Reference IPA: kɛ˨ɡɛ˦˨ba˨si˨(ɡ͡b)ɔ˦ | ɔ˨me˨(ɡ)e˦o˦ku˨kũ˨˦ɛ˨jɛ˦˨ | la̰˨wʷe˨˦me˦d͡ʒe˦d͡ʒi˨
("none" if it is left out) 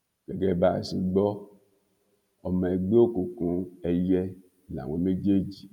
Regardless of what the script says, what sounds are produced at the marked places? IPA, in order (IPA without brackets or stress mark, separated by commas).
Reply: ɡ͡b, ɡ͡b